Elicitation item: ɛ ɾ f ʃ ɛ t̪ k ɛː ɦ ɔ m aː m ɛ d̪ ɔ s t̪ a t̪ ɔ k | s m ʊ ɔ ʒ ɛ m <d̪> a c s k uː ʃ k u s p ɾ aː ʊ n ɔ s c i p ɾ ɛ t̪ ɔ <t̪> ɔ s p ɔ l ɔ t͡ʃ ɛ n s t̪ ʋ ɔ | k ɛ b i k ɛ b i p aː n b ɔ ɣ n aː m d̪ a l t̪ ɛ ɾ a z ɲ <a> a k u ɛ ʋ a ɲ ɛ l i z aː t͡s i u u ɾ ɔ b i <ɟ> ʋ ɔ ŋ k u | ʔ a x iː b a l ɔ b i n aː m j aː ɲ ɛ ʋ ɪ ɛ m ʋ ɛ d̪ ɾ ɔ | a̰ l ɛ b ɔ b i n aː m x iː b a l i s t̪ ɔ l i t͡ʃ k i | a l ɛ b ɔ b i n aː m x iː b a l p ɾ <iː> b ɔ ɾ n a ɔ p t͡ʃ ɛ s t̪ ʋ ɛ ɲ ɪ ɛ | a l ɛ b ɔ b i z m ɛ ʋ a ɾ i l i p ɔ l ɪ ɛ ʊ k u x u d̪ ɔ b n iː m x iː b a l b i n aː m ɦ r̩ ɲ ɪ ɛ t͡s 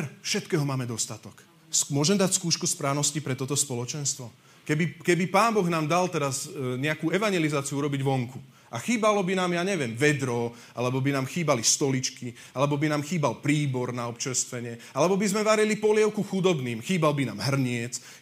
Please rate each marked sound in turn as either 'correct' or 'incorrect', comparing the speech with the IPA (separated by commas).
correct, correct, incorrect, correct, correct